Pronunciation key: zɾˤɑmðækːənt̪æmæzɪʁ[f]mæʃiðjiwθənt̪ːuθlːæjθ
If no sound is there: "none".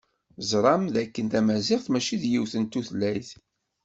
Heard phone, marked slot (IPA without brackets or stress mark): θ